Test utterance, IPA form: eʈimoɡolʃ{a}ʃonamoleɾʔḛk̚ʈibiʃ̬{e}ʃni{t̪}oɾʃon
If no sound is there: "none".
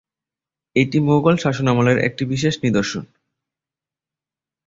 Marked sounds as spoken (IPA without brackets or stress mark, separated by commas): a, e, d̪